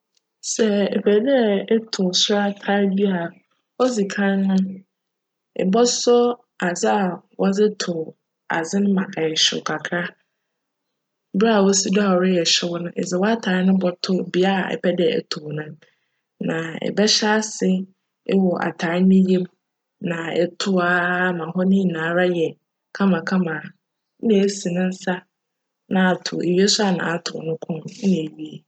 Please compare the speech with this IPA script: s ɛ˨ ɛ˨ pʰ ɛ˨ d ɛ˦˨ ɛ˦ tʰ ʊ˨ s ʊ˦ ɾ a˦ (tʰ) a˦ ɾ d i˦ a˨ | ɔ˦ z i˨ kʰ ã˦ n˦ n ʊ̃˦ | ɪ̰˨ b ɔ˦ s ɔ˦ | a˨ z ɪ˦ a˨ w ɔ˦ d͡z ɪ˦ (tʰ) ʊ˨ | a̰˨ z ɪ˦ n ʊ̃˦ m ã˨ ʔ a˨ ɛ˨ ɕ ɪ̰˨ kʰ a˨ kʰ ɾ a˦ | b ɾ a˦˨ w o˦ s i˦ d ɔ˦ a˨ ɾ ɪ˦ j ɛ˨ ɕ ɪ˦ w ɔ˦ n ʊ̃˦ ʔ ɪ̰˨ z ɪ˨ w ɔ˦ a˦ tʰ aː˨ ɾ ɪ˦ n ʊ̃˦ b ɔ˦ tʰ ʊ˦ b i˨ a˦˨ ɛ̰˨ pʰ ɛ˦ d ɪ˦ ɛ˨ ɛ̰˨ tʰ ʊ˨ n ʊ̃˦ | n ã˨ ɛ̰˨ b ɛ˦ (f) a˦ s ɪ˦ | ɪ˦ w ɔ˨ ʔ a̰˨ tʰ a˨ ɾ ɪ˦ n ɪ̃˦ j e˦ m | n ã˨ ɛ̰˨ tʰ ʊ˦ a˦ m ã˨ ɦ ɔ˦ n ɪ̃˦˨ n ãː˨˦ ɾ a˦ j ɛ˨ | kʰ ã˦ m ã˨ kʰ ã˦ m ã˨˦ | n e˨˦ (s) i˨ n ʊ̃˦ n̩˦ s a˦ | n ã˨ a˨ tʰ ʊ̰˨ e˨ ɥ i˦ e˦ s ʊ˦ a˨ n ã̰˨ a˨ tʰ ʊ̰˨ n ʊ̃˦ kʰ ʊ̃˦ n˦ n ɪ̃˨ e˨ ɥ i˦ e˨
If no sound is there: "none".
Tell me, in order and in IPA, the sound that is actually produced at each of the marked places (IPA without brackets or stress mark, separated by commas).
tʰ, tʰ, ɕ, s